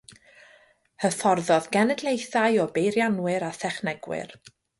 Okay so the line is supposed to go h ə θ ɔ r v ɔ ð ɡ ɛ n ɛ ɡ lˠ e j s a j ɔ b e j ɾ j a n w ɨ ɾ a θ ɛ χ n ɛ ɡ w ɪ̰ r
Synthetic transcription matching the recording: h ə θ ɔ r ð ɔ ð ɡ ɛ n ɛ d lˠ e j θ a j ɔ b e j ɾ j a n w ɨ ɾ a θ ɛ χ n ɛ ɡ w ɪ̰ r